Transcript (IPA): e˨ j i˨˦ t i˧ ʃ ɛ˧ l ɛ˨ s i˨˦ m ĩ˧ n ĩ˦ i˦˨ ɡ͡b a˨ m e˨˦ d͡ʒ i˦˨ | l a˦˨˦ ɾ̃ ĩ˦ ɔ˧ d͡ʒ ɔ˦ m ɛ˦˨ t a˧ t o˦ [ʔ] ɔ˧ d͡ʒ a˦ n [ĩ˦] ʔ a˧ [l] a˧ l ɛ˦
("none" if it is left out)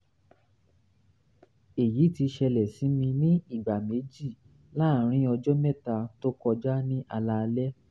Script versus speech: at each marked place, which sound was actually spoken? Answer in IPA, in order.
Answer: k, ĩ˦, l

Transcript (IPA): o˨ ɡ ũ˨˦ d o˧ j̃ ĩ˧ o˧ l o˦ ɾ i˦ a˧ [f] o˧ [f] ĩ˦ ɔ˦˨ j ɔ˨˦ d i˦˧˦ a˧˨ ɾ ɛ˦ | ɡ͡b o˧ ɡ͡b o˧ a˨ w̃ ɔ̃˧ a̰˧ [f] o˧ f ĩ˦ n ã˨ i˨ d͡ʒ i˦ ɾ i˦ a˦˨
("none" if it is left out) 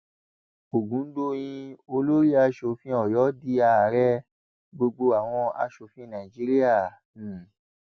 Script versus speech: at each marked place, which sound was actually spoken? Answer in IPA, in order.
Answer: ʃ, f, ʃ

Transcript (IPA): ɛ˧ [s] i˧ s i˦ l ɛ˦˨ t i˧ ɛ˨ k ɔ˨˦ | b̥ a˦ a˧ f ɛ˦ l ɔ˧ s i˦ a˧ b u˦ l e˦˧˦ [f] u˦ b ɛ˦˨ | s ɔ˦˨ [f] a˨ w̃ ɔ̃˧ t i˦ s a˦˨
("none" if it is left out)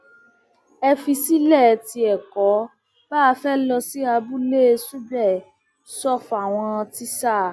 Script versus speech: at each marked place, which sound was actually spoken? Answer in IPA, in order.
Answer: f, s, f

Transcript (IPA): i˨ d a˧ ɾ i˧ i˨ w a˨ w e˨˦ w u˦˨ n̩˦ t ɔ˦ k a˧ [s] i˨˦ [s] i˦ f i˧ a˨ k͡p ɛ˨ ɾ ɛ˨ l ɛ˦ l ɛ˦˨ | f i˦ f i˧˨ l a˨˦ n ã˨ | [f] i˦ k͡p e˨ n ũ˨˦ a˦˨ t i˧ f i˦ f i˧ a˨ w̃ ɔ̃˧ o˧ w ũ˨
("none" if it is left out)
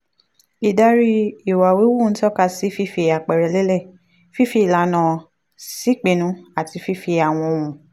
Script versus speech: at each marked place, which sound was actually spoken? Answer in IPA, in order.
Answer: s, f, s

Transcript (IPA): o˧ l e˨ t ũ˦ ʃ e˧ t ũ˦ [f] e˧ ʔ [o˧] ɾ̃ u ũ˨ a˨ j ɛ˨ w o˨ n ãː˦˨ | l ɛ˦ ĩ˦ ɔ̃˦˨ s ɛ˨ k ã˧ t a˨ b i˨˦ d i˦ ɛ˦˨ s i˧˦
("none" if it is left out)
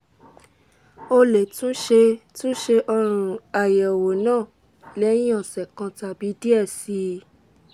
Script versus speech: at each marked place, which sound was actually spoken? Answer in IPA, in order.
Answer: ʃ, ɔ˧

